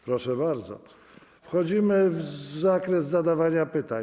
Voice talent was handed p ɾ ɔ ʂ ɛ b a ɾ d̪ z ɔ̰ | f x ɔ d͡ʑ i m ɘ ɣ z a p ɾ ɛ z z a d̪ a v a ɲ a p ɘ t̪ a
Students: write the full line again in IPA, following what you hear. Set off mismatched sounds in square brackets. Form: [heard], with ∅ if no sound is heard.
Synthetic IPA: p ɾ ɔ ʂ ɛ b a ɾ d̪ z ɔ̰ | f x ɔ d͡ʑ i m ɘ [v] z a [k] ɾ ɛ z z a d̪ a v a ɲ a p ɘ t̪ a